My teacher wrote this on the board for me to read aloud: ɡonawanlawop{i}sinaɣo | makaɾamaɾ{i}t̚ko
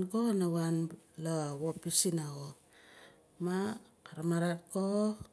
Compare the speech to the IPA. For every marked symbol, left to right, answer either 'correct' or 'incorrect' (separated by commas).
correct, incorrect